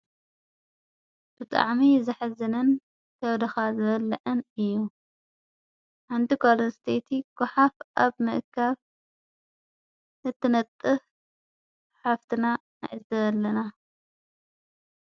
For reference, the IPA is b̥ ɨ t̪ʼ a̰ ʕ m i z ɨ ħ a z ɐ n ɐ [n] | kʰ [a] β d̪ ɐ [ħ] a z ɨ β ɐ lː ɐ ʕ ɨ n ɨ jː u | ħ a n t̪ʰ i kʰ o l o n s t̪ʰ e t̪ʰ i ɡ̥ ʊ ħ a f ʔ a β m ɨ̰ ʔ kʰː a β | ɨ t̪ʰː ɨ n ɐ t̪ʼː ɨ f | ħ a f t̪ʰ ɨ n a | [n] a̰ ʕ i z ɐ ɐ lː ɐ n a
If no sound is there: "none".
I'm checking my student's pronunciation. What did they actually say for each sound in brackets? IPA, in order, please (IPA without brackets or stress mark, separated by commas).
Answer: n, ɐ, x, n